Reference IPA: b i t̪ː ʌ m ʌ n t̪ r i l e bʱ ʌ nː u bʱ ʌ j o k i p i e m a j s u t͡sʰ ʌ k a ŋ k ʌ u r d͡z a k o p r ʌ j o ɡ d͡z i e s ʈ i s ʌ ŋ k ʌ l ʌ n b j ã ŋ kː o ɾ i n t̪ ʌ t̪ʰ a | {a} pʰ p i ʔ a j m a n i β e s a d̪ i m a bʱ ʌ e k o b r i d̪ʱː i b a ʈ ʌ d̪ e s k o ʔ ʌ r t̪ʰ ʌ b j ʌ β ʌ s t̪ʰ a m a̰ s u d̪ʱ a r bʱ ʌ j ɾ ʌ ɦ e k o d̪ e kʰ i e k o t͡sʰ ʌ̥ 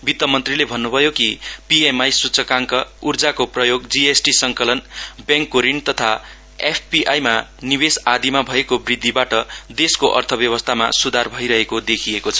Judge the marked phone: incorrect: e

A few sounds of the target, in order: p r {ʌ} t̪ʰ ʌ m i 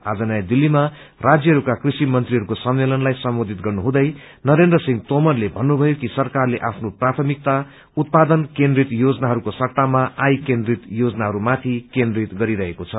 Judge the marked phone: incorrect: a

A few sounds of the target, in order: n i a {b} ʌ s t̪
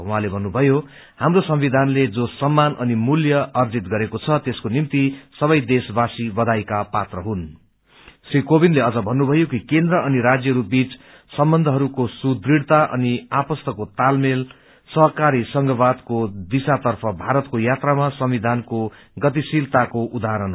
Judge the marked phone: incorrect: p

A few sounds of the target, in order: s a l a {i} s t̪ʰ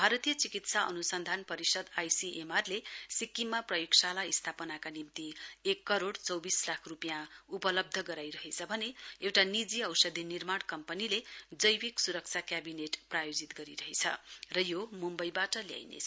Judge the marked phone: correct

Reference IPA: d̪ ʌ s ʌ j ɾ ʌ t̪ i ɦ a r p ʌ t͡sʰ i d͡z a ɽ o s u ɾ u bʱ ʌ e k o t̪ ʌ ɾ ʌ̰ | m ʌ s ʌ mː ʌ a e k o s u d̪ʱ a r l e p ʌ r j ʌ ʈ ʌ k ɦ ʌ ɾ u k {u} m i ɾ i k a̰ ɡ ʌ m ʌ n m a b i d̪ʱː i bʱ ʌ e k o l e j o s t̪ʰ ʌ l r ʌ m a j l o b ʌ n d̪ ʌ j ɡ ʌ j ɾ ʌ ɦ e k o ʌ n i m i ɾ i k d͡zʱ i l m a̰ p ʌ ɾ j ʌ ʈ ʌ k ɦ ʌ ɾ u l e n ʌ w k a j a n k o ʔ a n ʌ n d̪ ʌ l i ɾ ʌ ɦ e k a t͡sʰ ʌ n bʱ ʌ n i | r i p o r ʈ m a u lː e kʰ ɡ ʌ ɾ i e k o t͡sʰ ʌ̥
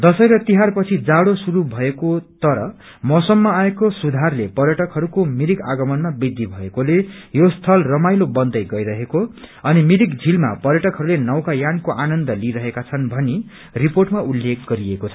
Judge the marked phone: incorrect: o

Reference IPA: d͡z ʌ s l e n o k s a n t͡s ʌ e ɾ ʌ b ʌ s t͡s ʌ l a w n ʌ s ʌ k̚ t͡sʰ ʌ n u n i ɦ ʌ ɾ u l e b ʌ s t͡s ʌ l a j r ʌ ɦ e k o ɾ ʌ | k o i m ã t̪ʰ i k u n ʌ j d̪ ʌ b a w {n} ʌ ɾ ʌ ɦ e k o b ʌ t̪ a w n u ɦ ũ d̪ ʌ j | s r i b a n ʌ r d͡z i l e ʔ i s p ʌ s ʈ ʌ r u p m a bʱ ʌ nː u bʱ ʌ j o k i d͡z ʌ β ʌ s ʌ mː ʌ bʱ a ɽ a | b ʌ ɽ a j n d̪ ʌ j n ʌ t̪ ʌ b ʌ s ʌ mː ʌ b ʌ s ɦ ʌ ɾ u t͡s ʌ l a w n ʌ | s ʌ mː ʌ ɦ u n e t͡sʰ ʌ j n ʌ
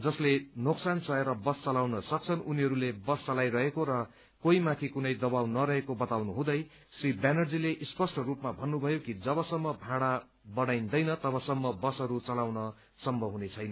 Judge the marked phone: correct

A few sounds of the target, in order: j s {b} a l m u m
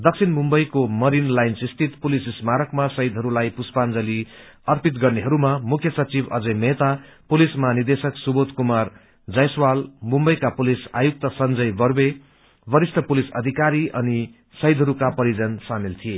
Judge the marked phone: incorrect: w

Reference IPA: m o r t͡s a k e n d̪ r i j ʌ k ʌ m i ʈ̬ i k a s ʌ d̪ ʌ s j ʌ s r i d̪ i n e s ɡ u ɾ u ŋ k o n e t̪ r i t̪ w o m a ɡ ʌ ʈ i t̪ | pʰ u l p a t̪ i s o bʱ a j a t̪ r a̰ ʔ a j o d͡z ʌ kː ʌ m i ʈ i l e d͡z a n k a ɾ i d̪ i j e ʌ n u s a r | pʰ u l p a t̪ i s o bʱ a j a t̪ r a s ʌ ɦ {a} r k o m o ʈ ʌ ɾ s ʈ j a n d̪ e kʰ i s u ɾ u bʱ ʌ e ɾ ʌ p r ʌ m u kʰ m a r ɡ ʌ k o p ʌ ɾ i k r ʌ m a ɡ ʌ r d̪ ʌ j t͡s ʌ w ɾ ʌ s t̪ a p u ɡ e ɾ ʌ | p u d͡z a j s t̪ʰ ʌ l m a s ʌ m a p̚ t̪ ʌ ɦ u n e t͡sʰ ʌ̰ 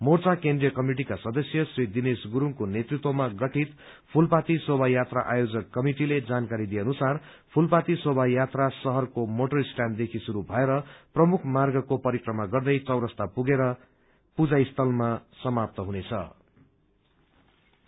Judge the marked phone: incorrect: ʌ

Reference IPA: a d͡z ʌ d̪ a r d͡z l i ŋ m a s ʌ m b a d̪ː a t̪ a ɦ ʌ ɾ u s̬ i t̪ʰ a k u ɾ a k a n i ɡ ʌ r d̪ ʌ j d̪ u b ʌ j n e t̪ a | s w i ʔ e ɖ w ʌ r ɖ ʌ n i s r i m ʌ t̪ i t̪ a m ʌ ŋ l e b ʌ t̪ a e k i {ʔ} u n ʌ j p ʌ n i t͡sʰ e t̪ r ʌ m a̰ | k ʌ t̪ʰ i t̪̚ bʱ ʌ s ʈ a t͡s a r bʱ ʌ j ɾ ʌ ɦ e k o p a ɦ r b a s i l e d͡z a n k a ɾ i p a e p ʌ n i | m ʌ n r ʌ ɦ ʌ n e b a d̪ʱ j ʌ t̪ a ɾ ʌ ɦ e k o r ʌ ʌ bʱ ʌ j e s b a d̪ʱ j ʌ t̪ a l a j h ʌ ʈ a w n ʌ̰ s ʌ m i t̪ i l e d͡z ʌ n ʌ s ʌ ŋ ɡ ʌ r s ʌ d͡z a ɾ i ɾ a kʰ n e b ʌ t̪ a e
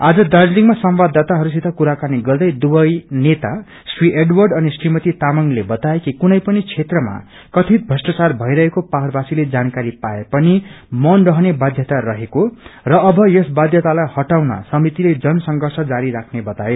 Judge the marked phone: incorrect: k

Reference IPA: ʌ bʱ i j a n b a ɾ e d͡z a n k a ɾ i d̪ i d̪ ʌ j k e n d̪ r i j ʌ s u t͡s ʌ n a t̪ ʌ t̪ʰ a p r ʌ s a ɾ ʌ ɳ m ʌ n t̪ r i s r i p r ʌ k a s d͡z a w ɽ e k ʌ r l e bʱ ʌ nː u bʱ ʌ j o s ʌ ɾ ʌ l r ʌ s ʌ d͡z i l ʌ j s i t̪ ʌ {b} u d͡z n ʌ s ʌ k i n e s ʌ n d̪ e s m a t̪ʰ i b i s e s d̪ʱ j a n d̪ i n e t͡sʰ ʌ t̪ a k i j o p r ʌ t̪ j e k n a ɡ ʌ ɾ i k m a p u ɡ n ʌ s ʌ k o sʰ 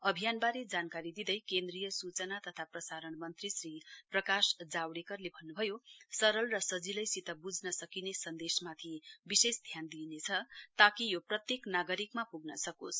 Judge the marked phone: correct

